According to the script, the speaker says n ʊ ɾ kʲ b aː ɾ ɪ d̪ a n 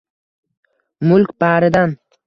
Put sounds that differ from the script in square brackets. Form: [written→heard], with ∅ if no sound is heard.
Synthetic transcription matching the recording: [n→m] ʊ [ɾ→l] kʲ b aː ɾ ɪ d̪ a n